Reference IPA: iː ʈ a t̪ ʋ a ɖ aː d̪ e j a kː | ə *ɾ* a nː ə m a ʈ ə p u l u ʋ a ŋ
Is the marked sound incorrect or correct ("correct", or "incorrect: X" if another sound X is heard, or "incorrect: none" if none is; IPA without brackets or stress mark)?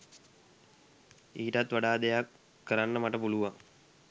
correct